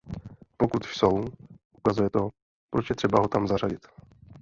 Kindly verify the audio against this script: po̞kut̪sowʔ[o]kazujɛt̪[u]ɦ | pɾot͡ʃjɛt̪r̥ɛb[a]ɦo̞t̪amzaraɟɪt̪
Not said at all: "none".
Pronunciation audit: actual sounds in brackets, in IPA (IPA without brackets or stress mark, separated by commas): u, o, a